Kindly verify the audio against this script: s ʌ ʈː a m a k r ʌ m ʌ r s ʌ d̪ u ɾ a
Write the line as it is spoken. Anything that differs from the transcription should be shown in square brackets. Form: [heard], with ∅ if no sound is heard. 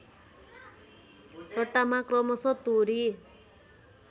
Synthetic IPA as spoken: s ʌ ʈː a m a k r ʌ m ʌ [∅] s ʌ [t̪] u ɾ [i]